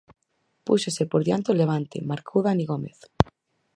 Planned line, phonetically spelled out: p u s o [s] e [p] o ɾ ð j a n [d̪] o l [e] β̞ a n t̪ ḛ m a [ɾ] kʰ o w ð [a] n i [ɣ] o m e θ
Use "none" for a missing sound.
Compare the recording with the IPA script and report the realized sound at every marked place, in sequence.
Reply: s, p, t̪, e, ɾ, a, ɣ

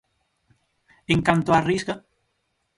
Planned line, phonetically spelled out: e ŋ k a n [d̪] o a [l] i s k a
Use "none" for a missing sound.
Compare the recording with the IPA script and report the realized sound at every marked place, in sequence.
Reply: t̪, r

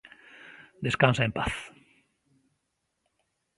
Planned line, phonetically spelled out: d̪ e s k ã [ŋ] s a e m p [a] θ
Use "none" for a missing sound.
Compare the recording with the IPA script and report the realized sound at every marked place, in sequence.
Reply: n, a

